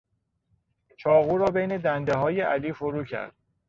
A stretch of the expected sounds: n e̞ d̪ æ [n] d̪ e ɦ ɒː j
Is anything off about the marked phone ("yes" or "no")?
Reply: no